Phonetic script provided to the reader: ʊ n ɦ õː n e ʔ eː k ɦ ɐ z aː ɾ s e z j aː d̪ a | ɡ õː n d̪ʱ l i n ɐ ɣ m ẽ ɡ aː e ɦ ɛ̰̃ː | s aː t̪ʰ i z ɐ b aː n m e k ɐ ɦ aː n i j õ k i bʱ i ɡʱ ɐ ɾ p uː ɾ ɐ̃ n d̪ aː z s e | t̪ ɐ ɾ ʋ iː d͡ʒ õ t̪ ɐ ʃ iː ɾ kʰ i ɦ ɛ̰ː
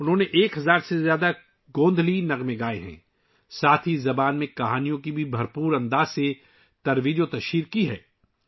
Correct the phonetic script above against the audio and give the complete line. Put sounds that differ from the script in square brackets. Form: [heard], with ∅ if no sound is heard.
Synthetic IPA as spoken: ʊ n ɦ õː n e ʔ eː k ɦ ɐ z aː ɾ s e z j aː d̪ a | ɡ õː n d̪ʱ l i n ɐ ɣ m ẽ ɡ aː e ɦ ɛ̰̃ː | s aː t̪ʰ i z ɐ b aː n m [ẽ] k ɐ ɦ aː n i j õ k i bʱ i [bʱ] ɐ ɾ p uː ɾ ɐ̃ n d̪ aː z s e | t̪ ɐ ɾ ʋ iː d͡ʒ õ t̪ ɐ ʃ iː ɾ [k] i ɦ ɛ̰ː